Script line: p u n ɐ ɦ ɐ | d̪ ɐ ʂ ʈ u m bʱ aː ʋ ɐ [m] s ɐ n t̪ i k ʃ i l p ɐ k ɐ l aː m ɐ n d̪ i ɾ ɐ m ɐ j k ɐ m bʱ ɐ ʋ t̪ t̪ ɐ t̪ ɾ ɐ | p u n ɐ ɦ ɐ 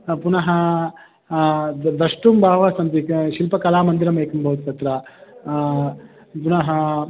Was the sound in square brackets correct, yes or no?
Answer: no